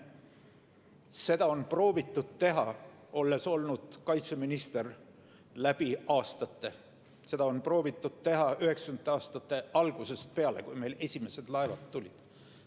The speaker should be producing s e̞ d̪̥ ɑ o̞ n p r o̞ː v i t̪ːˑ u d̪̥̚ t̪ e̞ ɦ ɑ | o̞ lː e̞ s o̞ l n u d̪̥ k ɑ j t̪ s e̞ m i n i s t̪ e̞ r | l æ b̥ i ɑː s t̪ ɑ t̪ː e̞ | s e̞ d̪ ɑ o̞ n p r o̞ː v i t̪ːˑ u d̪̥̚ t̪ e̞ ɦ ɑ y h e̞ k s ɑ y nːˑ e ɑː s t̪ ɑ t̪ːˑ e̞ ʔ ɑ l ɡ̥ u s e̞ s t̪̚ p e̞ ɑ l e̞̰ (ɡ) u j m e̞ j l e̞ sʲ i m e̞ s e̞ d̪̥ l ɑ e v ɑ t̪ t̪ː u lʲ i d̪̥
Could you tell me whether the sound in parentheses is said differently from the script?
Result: yes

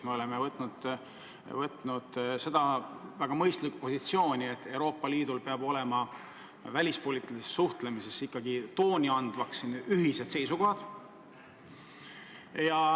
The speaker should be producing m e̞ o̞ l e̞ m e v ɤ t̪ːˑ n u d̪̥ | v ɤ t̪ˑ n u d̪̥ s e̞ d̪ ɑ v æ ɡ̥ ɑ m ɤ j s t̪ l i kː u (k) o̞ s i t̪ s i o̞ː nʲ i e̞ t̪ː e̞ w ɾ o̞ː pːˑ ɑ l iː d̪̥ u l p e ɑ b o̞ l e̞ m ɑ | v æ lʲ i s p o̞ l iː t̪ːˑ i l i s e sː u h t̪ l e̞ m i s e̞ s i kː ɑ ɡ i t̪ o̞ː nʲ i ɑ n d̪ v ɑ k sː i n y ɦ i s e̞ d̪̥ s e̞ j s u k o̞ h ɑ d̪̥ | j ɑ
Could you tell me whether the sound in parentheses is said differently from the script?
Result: yes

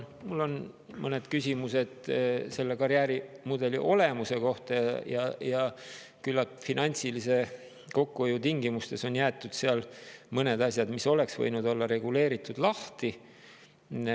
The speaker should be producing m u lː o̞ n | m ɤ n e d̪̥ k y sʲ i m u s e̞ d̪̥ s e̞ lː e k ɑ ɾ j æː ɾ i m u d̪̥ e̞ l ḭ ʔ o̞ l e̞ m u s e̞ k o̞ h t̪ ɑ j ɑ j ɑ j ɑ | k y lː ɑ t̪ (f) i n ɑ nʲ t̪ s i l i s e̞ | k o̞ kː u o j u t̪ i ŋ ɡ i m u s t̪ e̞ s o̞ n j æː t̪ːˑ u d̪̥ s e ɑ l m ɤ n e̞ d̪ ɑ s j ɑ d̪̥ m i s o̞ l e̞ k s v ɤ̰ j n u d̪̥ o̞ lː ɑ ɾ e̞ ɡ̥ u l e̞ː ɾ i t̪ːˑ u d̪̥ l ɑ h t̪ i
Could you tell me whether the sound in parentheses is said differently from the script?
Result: no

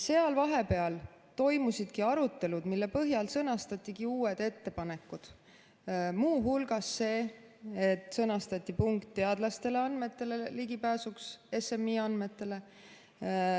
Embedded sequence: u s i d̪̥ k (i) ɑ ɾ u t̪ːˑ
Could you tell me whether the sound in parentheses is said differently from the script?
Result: no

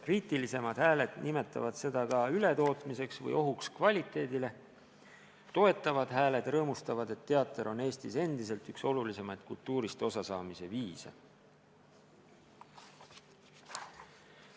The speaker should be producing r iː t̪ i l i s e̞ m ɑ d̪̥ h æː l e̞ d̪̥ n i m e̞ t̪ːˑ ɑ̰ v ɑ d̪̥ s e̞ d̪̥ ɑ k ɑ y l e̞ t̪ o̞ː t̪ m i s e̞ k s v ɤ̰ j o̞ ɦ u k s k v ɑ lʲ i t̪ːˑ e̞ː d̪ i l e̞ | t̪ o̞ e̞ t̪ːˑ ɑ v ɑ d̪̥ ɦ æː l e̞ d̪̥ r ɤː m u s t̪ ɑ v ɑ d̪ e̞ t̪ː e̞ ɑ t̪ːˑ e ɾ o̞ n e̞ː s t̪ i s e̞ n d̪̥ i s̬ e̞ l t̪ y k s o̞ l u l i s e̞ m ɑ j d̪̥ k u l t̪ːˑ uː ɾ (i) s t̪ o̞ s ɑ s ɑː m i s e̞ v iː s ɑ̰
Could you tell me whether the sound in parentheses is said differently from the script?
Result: no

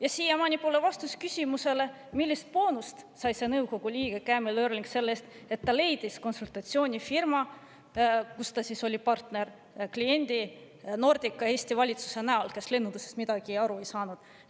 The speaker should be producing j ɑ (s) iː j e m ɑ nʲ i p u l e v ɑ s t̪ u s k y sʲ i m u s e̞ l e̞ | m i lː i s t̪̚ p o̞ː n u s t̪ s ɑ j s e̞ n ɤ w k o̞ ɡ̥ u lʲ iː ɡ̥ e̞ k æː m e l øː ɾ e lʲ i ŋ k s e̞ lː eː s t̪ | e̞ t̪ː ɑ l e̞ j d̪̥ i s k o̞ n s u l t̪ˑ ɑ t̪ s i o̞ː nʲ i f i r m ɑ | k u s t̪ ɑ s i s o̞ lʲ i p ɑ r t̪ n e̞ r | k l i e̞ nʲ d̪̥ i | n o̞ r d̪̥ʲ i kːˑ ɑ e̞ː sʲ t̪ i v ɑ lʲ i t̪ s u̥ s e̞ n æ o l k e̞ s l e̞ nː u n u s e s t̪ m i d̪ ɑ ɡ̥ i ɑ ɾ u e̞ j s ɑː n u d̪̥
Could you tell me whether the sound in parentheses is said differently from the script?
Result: no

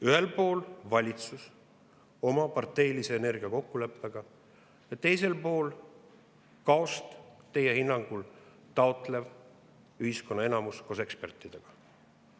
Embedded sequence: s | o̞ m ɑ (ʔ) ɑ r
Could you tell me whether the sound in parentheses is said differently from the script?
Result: yes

